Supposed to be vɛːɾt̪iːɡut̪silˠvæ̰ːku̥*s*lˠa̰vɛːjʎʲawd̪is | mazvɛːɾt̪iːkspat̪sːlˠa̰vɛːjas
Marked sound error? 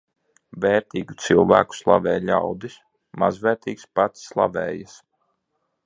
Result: no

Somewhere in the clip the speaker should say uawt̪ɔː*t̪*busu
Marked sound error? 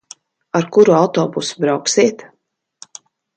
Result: yes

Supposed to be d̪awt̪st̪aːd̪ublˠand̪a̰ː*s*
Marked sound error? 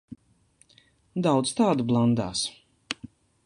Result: no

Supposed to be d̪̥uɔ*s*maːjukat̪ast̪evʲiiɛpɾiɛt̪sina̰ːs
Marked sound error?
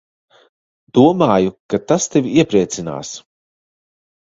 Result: yes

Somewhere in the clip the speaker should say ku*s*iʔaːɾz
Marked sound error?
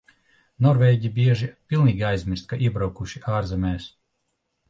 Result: yes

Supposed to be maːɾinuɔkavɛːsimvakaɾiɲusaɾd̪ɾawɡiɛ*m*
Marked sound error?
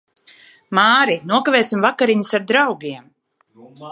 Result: no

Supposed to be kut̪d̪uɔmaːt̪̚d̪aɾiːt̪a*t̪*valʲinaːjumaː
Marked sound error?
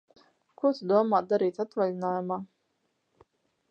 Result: no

